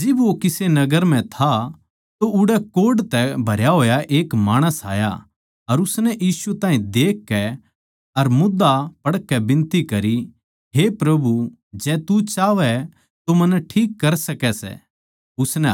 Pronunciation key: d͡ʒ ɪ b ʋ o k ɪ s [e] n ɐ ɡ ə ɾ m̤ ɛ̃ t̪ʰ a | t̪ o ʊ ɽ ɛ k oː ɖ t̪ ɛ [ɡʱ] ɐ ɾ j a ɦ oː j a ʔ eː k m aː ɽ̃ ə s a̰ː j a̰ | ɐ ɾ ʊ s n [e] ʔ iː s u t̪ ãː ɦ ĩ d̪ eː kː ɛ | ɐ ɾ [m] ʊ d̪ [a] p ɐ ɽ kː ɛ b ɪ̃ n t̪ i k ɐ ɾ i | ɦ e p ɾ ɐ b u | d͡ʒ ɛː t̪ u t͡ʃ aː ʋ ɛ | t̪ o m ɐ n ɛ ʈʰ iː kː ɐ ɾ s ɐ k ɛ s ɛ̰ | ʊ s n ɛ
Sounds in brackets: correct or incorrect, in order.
correct, incorrect: bʱ, incorrect: ɛ, correct, correct

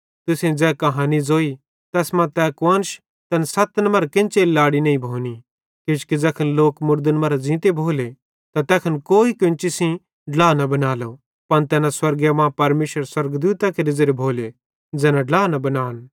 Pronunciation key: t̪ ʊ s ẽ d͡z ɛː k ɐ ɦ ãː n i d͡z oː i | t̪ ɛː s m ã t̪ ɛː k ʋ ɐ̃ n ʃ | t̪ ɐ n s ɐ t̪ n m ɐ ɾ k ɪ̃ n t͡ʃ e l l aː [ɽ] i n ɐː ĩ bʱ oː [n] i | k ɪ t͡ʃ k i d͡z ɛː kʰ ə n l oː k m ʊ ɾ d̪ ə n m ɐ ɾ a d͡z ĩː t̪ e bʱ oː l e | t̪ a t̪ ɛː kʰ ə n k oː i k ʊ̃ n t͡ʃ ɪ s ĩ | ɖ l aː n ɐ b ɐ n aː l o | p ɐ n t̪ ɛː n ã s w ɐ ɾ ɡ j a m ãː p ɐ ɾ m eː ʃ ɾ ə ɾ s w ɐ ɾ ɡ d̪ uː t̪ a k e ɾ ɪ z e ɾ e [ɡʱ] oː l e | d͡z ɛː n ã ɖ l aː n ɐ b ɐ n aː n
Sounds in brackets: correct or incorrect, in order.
correct, correct, incorrect: bʱ

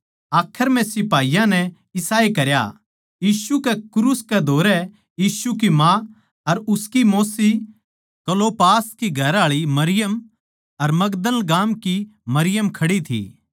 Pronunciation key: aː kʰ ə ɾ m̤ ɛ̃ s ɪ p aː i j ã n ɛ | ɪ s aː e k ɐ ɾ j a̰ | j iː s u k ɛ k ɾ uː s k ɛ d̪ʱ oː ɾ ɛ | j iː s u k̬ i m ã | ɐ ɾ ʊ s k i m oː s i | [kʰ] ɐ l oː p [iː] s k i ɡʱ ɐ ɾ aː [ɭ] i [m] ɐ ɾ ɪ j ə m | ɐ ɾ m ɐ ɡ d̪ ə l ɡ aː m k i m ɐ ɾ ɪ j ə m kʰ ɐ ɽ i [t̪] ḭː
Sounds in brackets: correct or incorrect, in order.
incorrect: k, incorrect: aː, correct, correct, incorrect: t̪ʰ

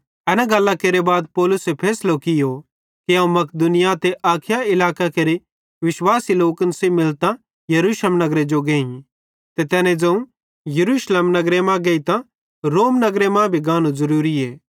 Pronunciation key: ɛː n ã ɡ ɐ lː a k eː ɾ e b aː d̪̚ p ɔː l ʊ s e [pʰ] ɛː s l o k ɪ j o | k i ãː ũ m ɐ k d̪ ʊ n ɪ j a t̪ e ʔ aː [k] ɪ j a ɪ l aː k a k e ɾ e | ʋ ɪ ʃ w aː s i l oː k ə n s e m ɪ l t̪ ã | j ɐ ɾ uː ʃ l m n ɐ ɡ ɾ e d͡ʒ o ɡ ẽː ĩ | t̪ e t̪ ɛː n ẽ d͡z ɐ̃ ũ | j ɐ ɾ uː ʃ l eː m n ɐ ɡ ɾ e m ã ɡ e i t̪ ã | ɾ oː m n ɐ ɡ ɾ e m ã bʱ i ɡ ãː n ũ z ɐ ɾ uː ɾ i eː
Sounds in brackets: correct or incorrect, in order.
correct, incorrect: kʰ

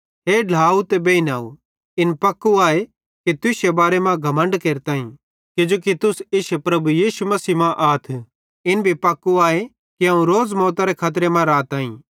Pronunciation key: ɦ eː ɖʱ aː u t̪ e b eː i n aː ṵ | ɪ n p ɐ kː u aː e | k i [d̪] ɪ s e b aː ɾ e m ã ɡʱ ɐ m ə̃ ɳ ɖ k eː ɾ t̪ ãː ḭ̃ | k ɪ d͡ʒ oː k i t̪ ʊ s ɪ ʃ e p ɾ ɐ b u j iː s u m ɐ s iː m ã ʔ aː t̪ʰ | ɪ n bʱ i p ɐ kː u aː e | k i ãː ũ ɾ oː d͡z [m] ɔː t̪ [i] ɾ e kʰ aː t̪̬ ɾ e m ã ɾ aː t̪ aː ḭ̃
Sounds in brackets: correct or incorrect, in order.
incorrect: t̪, correct, incorrect: a

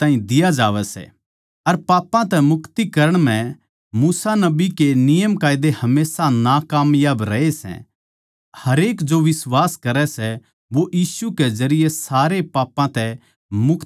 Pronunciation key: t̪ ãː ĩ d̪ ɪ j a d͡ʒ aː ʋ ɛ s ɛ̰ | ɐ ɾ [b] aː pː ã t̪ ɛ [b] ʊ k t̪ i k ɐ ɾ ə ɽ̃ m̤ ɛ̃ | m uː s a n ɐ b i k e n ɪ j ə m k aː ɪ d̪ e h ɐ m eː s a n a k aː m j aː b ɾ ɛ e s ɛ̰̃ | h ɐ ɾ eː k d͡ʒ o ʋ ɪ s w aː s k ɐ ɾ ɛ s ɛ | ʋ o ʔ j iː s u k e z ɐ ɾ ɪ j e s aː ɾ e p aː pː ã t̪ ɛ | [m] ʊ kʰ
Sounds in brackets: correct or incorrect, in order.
incorrect: p, incorrect: m, correct

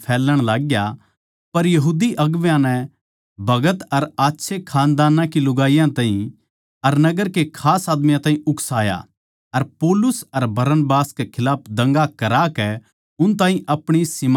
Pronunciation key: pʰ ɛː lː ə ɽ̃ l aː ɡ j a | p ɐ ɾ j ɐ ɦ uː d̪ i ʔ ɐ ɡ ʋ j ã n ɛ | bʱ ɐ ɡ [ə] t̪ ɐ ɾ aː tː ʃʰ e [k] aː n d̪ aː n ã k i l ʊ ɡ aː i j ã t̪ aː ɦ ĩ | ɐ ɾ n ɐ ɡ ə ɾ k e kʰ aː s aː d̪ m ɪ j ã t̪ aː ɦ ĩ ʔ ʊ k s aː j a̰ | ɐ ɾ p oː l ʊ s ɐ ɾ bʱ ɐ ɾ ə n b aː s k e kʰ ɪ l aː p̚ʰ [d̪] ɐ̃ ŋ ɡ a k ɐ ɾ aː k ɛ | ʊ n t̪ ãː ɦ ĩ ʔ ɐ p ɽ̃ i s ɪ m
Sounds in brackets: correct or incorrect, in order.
correct, incorrect: kʰ, correct

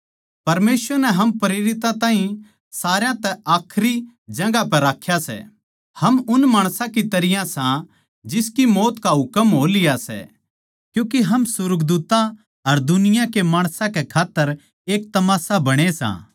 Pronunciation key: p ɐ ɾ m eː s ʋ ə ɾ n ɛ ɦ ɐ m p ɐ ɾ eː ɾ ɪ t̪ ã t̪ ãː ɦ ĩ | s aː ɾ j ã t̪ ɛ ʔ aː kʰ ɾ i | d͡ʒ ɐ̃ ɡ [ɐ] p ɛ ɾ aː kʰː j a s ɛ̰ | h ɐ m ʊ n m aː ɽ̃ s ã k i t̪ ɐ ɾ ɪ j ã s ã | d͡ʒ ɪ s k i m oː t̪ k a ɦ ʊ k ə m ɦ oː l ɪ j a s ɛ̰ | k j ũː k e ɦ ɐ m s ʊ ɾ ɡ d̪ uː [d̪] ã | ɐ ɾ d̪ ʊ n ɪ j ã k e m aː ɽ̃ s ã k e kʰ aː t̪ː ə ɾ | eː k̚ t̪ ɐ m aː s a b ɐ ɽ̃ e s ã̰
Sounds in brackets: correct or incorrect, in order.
incorrect: a, incorrect: t̪

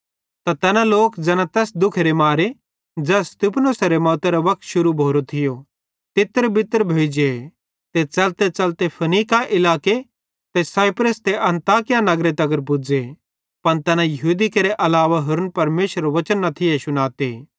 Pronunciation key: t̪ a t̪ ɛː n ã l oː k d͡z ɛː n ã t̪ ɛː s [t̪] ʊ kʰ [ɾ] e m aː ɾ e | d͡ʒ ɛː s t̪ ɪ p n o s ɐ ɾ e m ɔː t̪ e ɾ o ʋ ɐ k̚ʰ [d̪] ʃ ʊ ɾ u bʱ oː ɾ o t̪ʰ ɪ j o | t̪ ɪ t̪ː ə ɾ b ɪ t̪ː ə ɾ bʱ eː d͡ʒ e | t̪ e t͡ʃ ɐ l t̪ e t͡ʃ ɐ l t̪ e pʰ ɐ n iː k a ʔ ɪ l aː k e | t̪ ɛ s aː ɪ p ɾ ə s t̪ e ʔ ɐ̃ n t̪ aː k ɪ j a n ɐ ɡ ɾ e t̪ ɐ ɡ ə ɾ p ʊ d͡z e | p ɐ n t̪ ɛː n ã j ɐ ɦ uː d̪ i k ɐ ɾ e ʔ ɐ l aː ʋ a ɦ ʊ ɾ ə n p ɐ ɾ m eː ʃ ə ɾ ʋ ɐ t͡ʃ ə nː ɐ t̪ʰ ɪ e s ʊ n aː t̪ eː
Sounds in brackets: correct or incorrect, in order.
incorrect: d̪, correct, incorrect: t̪

